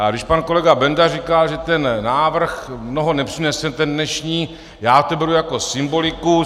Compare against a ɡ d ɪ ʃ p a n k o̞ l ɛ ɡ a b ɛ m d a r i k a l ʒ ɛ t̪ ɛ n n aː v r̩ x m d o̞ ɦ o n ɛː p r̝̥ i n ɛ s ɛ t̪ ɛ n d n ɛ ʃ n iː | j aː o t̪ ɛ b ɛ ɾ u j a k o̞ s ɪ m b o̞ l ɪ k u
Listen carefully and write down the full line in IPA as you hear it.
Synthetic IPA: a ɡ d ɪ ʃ p a n k o̞ l ɛ ɡ a b ɛ n d a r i k a l ʒ ɛ t̪ ɛ n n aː v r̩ x m n o̞ ɦ o n ɛ p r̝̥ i n ɛ s ɛ t̪ ɛ n d n ɛ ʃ ɲ iː | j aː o t̪ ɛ b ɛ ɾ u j a k o̞ s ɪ m b o̞ l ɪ k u